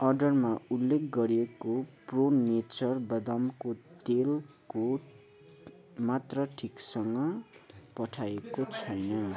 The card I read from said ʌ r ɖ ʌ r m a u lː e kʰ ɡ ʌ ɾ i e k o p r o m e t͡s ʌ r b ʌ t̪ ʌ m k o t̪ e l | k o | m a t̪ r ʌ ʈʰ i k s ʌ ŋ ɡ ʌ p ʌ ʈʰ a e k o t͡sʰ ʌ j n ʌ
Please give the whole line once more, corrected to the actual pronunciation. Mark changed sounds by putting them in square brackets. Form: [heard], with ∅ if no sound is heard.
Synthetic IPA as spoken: ʌ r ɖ ʌ r m a u lː e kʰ ɡ ʌ ɾ i e k o p r o [n] e t͡s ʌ r b ʌ [d̪] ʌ m k o t̪ e l | k o | m a t̪ r ʌ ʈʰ i k s ʌ ŋ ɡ ʌ p ʌ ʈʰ a e k o t͡sʰ ʌ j n ʌ